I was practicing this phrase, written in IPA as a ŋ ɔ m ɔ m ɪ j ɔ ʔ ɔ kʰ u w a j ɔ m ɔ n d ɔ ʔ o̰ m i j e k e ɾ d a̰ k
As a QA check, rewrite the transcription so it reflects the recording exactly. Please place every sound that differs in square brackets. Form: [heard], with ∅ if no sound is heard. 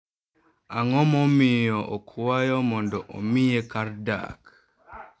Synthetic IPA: a ŋ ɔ m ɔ m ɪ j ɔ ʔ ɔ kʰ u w a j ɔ m ɔ n d ɔ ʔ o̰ m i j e k [a] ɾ d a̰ k